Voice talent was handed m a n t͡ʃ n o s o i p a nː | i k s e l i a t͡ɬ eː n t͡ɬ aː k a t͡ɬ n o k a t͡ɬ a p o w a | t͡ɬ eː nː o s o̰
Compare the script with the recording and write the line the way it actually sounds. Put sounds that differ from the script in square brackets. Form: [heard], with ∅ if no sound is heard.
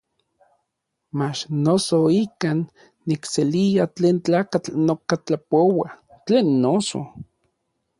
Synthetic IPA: m a [∅] t͡ʃ n o s o i [k] a nː | i k s e l i a t͡ɬ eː n t͡ɬ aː k a t͡ɬ n o k a t͡ɬ a p o w a | t͡ɬ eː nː o s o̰